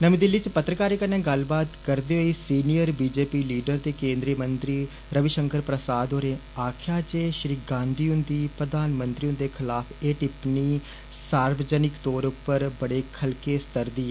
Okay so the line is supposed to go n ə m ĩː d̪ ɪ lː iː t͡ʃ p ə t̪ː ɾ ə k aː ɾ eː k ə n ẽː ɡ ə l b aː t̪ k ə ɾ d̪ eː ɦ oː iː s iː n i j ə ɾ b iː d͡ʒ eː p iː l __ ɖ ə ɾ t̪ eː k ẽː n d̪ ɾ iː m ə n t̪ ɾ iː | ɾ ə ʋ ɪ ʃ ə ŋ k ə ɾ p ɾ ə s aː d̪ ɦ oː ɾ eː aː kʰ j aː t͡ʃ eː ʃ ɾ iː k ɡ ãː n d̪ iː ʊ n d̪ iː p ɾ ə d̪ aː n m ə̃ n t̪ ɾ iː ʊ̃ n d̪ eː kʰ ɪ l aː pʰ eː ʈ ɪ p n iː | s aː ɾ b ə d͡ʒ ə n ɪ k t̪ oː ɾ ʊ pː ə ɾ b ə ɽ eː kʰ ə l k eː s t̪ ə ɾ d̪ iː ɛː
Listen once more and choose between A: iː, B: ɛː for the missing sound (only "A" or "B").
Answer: A